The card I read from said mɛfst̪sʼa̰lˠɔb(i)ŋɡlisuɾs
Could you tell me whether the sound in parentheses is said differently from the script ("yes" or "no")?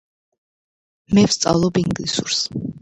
no